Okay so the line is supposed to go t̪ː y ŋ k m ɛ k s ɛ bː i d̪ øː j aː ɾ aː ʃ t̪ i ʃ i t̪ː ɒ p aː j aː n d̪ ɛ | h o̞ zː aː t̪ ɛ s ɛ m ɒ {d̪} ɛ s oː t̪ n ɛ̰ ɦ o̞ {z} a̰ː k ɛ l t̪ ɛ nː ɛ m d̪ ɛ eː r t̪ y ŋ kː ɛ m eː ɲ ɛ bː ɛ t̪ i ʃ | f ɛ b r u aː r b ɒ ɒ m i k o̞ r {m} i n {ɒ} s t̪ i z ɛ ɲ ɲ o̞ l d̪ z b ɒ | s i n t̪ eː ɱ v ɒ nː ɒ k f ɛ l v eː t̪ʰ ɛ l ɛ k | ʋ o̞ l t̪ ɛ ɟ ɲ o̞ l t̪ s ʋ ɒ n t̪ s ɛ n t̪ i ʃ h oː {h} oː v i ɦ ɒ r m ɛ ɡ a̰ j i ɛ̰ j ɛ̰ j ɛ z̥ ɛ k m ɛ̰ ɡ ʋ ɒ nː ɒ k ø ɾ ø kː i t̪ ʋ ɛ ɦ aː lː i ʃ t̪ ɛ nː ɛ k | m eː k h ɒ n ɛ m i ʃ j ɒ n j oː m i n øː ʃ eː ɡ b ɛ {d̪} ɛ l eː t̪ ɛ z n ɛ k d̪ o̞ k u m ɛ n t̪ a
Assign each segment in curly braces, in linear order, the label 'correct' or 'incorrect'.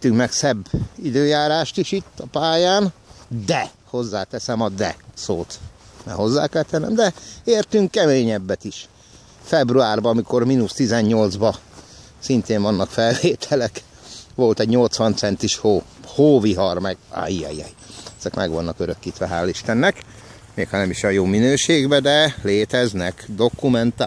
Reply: correct, incorrect: zː, correct, incorrect: u, correct, correct

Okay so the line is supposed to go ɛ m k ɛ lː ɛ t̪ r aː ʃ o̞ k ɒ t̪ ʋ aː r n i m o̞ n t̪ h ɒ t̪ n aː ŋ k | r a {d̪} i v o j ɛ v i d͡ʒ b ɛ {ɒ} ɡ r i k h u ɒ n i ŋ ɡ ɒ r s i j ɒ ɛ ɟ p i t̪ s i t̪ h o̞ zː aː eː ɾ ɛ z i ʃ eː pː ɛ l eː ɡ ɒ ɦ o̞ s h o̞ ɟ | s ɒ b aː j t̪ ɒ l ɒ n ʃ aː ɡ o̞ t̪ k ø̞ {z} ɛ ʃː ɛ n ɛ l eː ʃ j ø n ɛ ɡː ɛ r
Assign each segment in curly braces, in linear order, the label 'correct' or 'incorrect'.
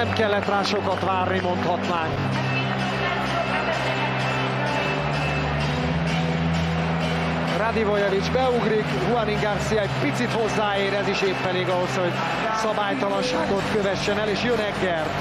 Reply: correct, incorrect: u, incorrect: v

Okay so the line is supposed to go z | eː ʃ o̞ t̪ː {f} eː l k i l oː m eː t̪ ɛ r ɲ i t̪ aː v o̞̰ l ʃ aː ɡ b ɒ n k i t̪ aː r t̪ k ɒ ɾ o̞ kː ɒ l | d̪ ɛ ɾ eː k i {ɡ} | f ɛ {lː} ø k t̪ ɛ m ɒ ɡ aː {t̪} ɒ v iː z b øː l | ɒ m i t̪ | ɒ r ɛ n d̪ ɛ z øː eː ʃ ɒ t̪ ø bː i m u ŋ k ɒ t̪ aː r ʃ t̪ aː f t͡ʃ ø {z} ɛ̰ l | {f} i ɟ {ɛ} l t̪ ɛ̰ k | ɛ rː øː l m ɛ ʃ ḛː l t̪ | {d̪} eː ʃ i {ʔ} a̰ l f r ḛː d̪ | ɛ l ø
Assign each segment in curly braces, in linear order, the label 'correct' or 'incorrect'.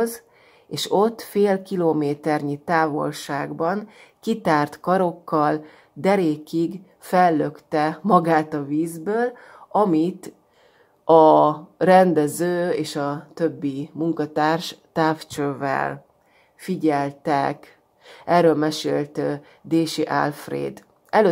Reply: correct, correct, correct, correct, incorrect: v, correct, correct, correct, correct

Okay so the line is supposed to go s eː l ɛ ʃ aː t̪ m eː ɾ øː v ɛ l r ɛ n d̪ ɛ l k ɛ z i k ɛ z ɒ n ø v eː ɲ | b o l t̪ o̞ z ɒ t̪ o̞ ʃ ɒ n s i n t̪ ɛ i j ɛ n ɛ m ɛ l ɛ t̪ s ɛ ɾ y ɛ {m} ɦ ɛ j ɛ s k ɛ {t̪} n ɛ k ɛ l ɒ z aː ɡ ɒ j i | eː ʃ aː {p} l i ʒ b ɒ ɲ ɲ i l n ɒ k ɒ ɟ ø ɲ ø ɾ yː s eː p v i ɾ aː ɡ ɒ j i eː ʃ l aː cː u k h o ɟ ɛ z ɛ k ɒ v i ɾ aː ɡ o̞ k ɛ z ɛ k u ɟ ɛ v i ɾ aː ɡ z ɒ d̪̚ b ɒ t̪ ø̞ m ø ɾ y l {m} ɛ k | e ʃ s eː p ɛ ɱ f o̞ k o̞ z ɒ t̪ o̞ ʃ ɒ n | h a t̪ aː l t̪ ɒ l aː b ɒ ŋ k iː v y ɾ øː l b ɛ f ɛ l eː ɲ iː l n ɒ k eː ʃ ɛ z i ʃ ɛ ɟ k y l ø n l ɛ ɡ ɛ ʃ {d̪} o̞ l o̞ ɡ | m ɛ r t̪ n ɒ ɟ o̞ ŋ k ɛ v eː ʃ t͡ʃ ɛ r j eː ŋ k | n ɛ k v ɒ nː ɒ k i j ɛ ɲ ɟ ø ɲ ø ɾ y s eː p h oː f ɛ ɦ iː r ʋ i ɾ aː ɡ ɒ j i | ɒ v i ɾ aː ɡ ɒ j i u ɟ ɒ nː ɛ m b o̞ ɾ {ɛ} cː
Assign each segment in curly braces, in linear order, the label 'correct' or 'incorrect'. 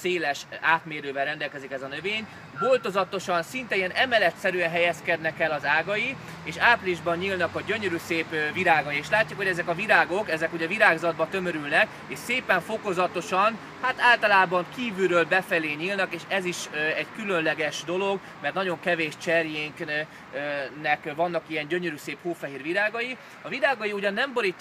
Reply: incorrect: n, incorrect: d̪, correct, incorrect: n, correct, incorrect: i

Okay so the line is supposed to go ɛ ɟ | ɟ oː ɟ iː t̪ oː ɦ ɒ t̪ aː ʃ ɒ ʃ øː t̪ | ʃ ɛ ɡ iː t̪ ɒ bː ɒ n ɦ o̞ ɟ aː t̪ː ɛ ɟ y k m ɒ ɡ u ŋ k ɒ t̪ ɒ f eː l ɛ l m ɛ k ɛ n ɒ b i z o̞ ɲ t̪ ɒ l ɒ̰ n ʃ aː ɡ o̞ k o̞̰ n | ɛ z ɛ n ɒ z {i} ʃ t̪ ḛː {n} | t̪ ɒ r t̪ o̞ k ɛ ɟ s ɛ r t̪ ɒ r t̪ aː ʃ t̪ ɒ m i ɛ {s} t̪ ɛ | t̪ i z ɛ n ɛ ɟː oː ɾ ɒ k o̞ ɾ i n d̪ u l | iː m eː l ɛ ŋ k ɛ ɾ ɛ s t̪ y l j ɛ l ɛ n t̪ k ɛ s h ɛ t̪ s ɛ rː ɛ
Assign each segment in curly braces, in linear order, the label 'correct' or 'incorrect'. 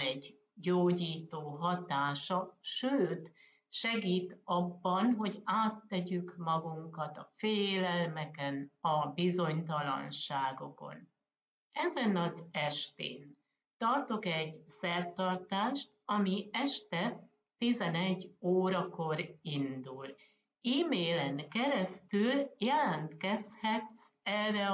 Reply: incorrect: ɛ, correct, incorrect: ʃ

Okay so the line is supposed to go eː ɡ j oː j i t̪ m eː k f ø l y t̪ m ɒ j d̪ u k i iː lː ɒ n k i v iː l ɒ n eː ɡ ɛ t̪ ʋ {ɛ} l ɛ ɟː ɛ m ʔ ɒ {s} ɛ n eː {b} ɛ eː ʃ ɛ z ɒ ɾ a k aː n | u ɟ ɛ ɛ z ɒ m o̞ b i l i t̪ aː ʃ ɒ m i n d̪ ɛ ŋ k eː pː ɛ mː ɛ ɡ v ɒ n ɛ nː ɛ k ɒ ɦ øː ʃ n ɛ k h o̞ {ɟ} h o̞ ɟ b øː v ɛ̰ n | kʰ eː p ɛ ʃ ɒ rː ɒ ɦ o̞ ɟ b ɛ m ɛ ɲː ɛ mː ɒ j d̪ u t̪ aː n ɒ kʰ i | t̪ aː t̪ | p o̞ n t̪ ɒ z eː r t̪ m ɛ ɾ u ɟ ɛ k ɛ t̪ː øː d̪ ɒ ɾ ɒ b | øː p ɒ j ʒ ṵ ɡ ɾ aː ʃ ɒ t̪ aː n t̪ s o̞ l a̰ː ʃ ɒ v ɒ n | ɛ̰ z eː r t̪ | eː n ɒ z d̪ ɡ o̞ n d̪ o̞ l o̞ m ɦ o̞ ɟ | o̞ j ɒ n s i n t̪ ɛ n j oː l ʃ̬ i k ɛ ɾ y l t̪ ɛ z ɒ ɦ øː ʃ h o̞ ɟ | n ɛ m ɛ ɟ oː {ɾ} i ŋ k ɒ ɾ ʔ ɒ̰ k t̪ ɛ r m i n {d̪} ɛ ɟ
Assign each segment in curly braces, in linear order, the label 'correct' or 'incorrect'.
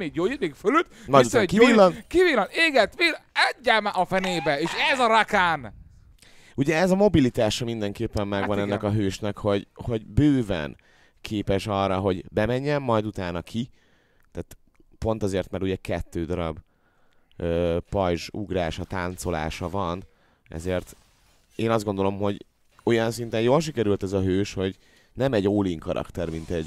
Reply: incorrect: i, incorrect: f, correct, correct, incorrect: l, incorrect: t̪

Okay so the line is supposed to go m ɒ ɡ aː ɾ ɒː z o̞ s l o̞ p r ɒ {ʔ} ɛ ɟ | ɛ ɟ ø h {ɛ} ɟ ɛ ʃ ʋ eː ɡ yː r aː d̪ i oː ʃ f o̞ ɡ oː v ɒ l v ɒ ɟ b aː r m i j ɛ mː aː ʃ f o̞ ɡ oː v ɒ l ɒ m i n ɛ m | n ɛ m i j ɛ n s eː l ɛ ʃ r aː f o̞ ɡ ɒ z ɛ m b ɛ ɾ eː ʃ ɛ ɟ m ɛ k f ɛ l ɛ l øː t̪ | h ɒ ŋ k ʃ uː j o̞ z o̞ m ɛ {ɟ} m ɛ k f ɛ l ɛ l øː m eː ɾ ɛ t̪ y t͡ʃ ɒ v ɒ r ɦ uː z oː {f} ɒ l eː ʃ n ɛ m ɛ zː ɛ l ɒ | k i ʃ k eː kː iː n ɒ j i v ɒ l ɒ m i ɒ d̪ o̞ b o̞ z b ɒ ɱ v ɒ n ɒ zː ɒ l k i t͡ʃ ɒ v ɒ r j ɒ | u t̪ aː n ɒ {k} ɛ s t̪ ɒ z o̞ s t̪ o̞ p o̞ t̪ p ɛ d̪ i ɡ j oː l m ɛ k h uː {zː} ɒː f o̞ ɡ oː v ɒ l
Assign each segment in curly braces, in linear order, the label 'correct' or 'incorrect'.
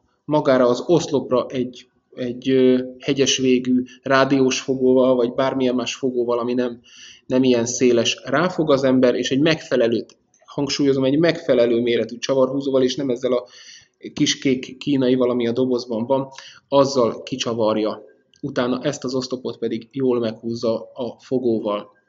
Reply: correct, correct, correct, incorrect: v, incorrect: ʔ, correct

